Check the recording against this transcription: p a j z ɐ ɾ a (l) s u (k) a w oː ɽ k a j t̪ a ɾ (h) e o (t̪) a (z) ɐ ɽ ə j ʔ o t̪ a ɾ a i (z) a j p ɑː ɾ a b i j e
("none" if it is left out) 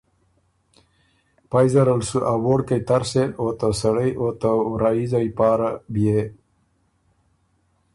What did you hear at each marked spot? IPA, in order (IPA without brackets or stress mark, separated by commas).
l, ʔ, s, t̪, s, z